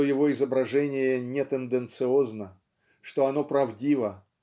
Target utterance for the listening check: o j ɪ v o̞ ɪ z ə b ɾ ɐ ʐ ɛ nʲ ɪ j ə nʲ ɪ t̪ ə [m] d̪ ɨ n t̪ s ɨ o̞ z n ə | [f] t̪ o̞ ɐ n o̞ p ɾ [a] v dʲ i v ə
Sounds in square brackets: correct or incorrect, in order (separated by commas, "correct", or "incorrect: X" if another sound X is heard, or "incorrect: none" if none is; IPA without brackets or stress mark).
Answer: incorrect: n, incorrect: ʂ, incorrect: ɐ